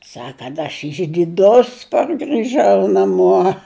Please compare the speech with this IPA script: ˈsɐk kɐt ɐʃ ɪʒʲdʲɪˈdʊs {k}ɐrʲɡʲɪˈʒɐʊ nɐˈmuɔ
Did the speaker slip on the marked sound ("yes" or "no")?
yes